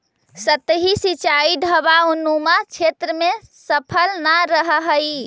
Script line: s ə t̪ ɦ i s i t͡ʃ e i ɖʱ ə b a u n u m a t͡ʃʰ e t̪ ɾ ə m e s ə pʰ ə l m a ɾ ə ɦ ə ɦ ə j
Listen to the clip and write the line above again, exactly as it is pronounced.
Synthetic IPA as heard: s ə t̪ ɦ i s i t͡ʃ a i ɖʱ ə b a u n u m a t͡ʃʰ e t̪ ɾ ə m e s ə pʰ ə l n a ɾ ə ɦ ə ɦ ə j